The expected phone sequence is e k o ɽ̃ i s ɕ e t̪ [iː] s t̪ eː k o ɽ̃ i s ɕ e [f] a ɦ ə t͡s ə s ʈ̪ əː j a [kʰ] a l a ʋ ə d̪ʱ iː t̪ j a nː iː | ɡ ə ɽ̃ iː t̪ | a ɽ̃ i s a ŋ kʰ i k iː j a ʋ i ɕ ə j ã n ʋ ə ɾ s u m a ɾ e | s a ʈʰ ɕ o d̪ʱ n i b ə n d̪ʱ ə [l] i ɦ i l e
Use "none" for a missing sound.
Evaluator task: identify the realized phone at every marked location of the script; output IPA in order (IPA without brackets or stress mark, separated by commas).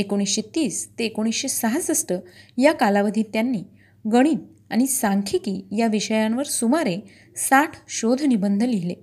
iː, s, k, l